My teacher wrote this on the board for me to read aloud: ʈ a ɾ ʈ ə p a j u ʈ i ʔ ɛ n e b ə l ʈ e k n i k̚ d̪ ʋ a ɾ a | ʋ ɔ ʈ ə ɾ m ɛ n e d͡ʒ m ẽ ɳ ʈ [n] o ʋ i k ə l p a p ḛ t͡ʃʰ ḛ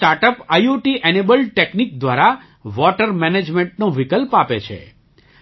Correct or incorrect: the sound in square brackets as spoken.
correct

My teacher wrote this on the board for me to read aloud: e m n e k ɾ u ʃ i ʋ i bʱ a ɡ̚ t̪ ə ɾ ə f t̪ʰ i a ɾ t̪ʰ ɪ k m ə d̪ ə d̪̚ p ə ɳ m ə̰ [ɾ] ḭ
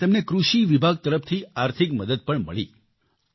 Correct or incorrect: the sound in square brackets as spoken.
incorrect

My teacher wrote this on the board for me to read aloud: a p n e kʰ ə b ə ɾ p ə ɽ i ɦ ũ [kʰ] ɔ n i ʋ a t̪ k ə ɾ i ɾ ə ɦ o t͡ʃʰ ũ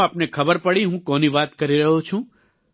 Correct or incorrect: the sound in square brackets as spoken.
incorrect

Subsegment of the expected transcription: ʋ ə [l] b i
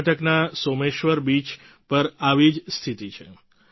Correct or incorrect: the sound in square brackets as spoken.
incorrect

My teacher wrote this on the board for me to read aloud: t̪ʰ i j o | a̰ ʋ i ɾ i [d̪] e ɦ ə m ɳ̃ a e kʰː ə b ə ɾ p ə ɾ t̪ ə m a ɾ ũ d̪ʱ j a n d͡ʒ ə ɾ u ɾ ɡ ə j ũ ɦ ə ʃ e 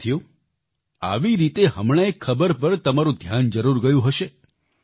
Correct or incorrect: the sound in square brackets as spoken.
incorrect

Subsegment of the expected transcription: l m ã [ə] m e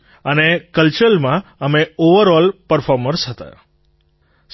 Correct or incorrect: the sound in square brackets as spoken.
correct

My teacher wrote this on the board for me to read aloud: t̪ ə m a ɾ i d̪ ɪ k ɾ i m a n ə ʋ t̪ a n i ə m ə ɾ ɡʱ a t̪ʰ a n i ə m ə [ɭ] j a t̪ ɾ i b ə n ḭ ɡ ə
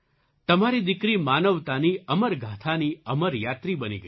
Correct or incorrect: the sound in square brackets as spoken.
incorrect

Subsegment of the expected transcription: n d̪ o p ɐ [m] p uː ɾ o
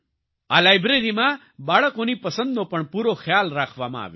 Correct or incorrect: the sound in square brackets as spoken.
incorrect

